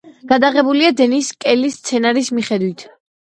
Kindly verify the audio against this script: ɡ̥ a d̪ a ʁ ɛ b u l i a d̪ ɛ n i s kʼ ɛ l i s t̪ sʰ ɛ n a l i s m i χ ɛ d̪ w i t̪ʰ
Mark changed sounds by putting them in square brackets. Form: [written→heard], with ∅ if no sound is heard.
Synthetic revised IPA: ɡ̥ a d̪ a ʁ ɛ b u l i a d̪ ɛ n i s kʼ ɛ l i s t̪ sʰ ɛ n a [l→ɾ] i s m i χ ɛ d̪ w i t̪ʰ